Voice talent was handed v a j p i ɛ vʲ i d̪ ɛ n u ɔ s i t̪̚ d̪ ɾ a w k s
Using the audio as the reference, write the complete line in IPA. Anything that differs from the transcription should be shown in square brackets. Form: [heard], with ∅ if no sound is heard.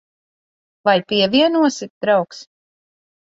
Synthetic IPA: v a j p i ɛ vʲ i [∅] ɛ n u ɔ s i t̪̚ d̪ ɾ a w k s